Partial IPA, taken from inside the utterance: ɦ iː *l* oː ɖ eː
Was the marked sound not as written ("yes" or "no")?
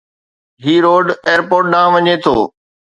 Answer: yes